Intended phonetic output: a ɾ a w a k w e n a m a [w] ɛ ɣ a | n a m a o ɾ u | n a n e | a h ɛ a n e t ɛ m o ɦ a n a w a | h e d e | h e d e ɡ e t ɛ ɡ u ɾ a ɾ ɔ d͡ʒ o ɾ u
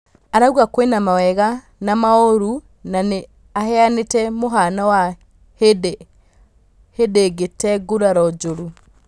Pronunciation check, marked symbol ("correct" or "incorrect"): correct